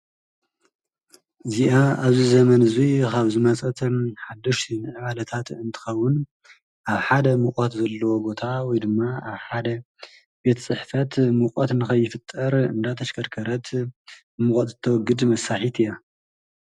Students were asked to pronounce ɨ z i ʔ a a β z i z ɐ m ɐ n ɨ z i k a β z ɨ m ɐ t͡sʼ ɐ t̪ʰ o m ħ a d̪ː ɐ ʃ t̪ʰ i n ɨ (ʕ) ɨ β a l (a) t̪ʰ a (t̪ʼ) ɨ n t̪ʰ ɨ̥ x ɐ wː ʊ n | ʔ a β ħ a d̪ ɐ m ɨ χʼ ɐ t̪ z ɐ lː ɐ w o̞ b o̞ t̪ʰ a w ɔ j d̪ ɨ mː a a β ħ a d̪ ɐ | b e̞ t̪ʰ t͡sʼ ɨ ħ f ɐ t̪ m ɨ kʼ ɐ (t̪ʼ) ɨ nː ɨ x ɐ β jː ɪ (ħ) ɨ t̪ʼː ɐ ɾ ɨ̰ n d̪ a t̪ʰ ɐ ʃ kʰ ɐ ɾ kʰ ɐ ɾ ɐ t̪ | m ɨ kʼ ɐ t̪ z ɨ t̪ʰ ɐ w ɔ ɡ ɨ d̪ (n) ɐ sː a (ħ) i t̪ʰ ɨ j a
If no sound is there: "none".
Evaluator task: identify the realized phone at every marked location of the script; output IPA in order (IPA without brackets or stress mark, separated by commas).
ʕ, ɐ, t̪, t̪, f, m, ħ